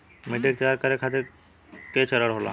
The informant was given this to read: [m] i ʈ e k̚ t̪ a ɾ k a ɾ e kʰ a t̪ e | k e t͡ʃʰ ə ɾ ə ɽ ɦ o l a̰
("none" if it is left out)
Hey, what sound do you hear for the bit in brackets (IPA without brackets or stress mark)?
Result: m